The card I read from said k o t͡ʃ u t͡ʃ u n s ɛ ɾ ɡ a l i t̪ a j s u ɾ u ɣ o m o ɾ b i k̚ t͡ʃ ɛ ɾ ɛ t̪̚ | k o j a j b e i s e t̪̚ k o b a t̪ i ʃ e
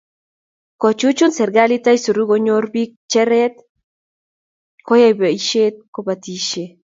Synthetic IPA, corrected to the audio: k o t͡ʃ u t͡ʃ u n s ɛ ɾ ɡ a l i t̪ a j s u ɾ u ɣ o ɲ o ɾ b i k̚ t͡ʃ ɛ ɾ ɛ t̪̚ | k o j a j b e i ʃ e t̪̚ k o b a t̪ i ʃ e

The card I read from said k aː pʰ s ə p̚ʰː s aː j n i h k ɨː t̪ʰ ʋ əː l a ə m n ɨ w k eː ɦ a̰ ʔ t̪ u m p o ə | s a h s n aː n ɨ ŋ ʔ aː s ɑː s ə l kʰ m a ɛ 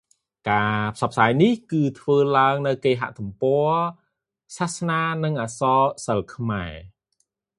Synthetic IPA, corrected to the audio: k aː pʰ s ɑ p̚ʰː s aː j n i h k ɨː t̪ʰ ʋ əː l a ə ŋ n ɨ w k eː ɦ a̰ ʔ t̪ u m p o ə | s a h s n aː n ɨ ŋ ʔ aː s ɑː s ə l kʰ m a ɛ

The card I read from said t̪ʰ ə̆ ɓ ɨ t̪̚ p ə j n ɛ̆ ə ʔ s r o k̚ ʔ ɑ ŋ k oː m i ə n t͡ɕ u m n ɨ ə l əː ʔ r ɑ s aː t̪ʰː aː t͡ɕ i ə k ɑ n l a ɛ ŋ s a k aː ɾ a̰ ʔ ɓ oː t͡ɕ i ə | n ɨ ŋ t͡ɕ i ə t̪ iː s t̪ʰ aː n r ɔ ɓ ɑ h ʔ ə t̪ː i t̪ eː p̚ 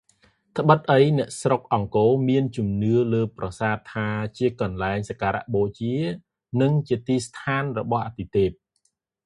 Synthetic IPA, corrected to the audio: t̪ʰ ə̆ ɓ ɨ t̪̚ ʔ ə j n ɛ̆ ə ʔ s r o k̚ ʔ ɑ ŋ k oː m i ə n t͡ɕ u m n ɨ ə l əː p r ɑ s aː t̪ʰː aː t͡ɕ i ə k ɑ n l a ɛ ŋ s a k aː ɾ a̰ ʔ ɓ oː t͡ɕ i ə | n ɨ ŋ t͡ɕ i ə t̪ iː s t̪ʰ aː n r ɔ ɓ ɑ h ʔ a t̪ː i t̪ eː p̚

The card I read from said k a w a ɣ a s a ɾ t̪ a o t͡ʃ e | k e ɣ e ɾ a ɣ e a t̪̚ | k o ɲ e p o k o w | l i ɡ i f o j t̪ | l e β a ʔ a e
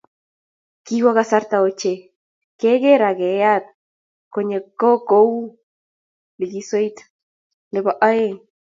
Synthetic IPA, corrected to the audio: k i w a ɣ a s a ɾ t̪ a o t͡ʃ e | k e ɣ e ɾ a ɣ e a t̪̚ | k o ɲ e k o k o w | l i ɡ i s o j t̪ | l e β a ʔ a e

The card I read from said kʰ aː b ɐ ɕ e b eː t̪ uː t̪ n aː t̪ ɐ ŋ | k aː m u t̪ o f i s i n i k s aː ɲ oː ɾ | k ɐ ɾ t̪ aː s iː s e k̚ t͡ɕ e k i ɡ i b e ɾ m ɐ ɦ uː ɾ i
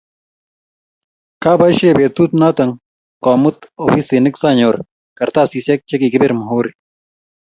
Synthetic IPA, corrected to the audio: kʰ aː b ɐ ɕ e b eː t̪ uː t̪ n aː t̪ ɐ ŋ | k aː m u t̪ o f i s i n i k s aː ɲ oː ɾ | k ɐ ɾ t̪ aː s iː s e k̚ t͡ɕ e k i ɡ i b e ɾ m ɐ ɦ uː ɾ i

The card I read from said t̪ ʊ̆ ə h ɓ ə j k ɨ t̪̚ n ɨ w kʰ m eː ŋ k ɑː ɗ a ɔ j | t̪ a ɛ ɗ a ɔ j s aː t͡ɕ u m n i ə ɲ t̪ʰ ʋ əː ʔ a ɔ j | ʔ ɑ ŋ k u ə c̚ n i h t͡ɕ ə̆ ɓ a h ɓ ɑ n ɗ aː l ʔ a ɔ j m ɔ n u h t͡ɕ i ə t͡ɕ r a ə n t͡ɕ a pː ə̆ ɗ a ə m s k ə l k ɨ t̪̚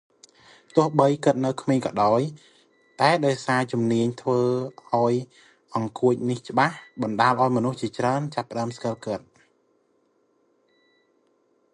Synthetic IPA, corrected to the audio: t̪ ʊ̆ ə h ɓ ə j k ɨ t̪̚ n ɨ w kʰ m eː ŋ k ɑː ɗ a ɔ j | t̪ a ɛ ɗ a ɔ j s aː t͡ɕ u m n i ə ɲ t̪ʰ ʋ əː ʔ a ɔ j | ʔ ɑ ŋ k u ə c̚ n i h t͡ɕ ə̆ ɓ a h ɓ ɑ n ɗ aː l ʔ a ɔ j m ɔ n u h t͡ɕ i ə t͡ɕ r a ə n t͡ɕ a pː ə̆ ɗ a ə m s k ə l k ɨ t̪̚

